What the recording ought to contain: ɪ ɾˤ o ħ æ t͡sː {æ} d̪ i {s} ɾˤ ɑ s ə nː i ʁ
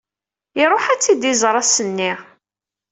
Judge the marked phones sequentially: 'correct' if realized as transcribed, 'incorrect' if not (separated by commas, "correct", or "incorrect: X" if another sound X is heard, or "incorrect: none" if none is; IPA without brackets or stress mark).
incorrect: i, incorrect: z